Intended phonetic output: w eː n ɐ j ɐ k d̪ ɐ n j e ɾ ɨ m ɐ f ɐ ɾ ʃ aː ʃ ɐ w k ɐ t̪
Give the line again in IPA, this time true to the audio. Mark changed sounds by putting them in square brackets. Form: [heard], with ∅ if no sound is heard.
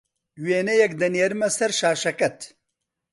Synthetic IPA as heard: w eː n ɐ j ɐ k d̪ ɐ n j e ɾ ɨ m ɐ [s] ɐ ɾ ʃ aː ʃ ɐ [∅] k ɐ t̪